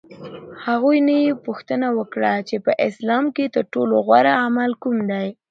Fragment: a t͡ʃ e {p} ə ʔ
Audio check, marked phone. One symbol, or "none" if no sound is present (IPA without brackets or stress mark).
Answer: p